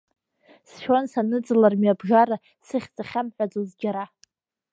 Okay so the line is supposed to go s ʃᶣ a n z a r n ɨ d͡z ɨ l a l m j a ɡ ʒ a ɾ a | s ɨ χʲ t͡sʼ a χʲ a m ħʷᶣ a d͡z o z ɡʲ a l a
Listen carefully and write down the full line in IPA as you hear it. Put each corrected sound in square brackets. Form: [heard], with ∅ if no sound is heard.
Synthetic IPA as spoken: s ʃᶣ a n [s] a [∅] n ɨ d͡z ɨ l a [r] m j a [b] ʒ a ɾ a | s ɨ χʲ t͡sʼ a χʲ a m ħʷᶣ a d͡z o z ɡʲ a [ɾ] a